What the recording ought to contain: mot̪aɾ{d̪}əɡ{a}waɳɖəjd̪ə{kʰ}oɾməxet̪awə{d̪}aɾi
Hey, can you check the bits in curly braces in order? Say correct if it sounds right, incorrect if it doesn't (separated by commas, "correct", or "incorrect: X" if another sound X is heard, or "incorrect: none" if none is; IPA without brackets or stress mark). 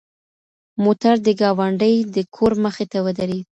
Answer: correct, incorrect: ɑ, correct, correct